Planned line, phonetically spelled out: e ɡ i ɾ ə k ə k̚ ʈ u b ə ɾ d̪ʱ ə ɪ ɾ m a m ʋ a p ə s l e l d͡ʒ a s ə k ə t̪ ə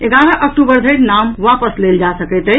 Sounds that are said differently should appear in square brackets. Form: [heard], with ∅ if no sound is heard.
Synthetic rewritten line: e ɡ [a] ɾ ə [ʔ] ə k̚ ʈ u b ə ɾ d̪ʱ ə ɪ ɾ [n] a m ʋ a p ə s l e l d͡ʒ a s ə k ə t̪ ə

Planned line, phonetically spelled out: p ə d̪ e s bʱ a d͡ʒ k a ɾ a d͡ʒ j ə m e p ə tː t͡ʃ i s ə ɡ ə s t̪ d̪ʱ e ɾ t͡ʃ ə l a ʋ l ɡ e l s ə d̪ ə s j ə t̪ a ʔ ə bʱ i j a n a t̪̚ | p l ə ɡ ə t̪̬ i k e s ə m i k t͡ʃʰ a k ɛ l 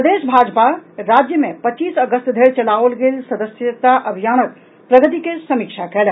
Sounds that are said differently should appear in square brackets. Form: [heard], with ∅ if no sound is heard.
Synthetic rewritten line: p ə d̪ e s bʱ a d͡ʒ [p] a ɾ a d͡ʒ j ə m e p ə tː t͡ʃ i s ə ɡ ə s t̪ d̪ʱ e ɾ t͡ʃ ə l a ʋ l ɡ e l s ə d̪ ə s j ə t̪ a ʔ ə bʱ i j a n [ə] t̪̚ | p [ɾ] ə ɡ ə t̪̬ i k e s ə m i k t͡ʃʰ a k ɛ l

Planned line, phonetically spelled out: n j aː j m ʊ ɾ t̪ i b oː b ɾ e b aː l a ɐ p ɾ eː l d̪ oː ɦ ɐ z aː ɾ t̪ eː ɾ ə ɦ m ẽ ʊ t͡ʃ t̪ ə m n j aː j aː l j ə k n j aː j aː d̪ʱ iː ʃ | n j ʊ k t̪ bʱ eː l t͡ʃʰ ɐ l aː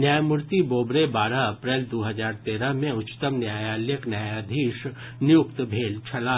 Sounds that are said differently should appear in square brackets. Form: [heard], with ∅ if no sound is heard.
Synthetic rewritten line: n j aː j m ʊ ɾ t̪ i b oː b ɾ e b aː [ɾ] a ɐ p ɾ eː l d̪ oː ɦ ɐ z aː ɾ t̪ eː ɾ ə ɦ m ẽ ʊ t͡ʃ t̪ ə m n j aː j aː l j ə k n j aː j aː d̪ʱ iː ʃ | n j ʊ k t̪ bʱ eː l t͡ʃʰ ɐ l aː

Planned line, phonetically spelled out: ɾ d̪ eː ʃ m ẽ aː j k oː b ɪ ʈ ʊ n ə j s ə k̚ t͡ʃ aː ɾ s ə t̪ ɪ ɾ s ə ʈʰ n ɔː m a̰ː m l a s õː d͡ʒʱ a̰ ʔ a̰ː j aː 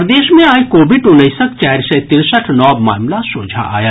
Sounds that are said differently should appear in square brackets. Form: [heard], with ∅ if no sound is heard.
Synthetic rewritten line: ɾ d̪ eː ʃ m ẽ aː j k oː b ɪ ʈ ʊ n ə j s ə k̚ t͡ʃ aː ɾ s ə t̪ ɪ ɾ s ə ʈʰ n ɔː m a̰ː m l a s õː d͡ʒʱ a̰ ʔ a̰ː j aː

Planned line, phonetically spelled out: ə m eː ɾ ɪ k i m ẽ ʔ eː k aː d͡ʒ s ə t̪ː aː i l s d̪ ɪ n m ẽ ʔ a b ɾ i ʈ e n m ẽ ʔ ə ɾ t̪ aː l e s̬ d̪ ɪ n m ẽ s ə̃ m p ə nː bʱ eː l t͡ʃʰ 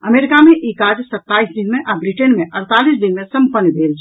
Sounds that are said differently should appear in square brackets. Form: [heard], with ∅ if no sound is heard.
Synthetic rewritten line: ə m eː ɾ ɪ k [a] m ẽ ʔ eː k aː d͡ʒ s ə t̪ː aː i [∅] s d̪ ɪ n m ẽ ʔ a b ɾ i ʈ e n m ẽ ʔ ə ɾ t̪ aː l [i] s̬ d̪ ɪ n m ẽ s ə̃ m p ə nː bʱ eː l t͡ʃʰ

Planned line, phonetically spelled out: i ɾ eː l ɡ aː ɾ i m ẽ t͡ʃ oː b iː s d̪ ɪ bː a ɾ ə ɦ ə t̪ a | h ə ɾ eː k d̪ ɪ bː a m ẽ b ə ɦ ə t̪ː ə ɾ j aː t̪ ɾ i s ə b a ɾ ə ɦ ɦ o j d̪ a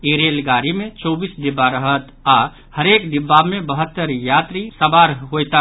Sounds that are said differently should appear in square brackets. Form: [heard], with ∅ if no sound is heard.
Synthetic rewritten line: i ɾ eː l ɡ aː ɾ i m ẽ t͡ʃ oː b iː s d̪ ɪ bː a ɾ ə ɦ ə t̪ a | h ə ɾ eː k d̪ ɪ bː a m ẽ b ə ɦ ə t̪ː ə ɾ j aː t̪ ɾ i s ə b a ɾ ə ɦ ɦ o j [t̪] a

